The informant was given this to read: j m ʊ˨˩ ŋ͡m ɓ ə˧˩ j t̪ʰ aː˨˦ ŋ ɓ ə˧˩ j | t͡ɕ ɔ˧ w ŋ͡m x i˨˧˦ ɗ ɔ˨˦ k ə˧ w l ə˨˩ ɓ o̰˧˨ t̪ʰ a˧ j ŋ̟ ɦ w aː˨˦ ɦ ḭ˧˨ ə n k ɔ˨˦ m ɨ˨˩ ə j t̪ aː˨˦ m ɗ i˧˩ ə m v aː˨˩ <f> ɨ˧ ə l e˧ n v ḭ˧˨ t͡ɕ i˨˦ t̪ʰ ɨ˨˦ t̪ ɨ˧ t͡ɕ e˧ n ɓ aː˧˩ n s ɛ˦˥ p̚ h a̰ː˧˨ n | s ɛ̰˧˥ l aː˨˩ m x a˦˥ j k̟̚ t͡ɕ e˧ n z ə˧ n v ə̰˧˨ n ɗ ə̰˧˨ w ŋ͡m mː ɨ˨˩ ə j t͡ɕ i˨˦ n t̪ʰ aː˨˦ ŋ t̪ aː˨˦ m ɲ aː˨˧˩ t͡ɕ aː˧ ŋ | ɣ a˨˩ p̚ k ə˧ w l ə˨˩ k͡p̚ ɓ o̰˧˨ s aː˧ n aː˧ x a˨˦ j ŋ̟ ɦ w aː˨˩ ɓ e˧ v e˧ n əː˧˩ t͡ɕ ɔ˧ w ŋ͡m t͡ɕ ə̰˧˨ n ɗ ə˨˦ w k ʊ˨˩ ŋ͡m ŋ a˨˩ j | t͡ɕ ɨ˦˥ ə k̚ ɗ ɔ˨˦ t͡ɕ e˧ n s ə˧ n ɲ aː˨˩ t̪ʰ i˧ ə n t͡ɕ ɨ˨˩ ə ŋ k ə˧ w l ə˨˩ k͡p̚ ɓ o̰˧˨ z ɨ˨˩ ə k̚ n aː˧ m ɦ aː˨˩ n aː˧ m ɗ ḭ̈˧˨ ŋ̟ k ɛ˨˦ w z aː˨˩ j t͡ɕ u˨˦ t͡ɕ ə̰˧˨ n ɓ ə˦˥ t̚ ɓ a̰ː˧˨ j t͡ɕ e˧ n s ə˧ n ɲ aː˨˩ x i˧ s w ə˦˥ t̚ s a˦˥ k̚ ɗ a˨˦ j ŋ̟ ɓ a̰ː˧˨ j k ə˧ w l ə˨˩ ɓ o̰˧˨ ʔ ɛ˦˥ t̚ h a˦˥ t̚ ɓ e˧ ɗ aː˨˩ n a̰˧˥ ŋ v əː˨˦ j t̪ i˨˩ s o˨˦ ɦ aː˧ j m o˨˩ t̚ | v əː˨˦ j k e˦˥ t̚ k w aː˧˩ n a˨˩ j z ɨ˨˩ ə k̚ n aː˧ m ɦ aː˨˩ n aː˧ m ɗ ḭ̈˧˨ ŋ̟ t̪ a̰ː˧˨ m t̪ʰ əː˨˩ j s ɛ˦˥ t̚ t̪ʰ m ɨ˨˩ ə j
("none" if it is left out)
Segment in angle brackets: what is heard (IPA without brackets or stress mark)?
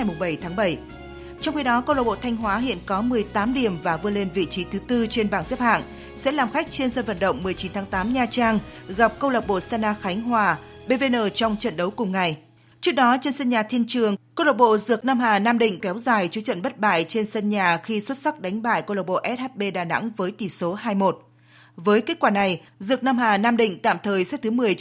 v